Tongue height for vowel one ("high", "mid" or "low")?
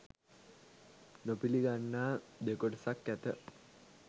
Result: mid